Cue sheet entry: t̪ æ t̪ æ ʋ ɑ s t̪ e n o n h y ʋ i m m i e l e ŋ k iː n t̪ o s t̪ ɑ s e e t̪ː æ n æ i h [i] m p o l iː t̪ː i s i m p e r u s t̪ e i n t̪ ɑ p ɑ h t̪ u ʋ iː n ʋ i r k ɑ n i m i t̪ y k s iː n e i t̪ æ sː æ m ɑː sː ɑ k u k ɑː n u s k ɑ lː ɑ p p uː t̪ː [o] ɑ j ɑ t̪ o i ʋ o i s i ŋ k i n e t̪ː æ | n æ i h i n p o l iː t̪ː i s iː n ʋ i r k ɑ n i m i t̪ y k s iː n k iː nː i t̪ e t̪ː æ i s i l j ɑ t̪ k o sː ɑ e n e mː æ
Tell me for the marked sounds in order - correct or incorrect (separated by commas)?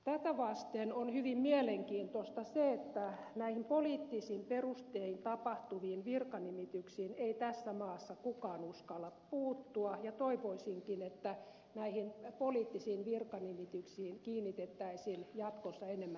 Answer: correct, incorrect